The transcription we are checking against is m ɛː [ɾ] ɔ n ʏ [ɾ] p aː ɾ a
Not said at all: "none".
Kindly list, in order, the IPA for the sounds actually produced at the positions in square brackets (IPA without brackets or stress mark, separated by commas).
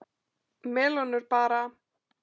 l, ɾ